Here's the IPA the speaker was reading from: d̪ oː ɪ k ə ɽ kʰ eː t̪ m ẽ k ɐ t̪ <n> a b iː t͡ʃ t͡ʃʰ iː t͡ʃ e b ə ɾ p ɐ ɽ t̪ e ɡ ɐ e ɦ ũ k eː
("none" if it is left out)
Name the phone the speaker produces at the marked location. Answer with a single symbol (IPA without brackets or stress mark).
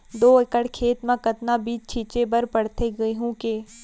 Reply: n